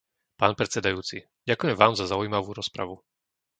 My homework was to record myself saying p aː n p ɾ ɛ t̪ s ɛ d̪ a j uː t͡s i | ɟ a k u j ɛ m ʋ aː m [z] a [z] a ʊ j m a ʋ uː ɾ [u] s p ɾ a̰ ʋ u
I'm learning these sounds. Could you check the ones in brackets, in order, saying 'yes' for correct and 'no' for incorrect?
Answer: yes, yes, no

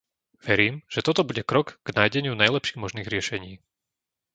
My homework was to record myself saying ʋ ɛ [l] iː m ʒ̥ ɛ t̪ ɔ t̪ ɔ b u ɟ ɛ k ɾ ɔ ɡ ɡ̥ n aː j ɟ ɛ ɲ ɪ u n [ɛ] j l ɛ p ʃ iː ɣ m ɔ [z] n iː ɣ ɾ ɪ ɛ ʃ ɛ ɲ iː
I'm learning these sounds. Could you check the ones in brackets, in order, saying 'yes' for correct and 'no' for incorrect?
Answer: no, no, no

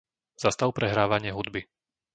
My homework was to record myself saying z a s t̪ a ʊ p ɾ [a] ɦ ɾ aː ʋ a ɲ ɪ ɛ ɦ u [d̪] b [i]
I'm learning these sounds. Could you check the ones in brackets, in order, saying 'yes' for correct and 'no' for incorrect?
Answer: no, yes, yes

